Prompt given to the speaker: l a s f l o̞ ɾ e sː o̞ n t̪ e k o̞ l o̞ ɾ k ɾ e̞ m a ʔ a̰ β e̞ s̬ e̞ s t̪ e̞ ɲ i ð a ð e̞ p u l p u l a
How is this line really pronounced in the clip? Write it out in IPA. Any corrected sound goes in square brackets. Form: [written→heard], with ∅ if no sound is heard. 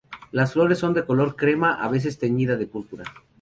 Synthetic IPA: l a s f l o̞ ɾ e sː o̞ n [t̪→d̪] e k o̞ l o̞ ɾ k ɾ e̞ m a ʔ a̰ β e̞ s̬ e̞ s t̪ e̞ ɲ i ð a ð e̞ p u l p u [l→ɾ] a